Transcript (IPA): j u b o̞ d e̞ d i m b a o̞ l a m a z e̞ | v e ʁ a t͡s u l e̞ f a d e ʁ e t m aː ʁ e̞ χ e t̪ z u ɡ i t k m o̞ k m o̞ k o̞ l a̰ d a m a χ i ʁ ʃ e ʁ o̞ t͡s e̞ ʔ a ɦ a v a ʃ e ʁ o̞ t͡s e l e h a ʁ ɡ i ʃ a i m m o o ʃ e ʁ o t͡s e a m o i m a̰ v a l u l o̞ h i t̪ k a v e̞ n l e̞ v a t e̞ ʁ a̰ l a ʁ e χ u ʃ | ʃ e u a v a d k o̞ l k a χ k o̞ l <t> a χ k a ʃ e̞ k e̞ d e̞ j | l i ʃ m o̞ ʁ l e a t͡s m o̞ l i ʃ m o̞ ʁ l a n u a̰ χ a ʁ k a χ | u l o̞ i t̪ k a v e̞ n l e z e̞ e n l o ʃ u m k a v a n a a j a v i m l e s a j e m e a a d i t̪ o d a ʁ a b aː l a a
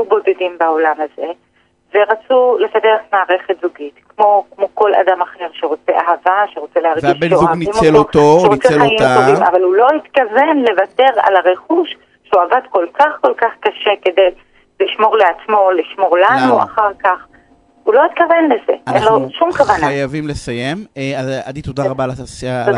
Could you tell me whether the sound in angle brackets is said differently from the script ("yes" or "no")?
yes